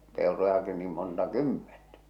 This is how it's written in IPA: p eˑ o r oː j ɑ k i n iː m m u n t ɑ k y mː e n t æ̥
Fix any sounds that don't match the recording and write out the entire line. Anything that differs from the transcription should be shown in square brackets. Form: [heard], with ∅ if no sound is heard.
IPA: p eˑ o r [o] j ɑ k i n iː m m [o] n t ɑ k y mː e n t æ̥